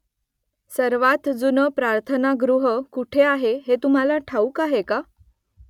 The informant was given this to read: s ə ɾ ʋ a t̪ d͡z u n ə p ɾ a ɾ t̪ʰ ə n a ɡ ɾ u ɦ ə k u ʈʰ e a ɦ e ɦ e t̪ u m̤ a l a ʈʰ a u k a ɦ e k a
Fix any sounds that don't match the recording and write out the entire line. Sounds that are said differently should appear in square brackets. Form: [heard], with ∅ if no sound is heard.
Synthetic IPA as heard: s ə ɾ ʋ a t̪ d͡z u n ə p ɾ a ɾ t̪ʰ ə n a ɡ ɾ u ɦ ə k u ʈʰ e a ɦ e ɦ e t̪ u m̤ a l a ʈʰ a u k a ɦ e k a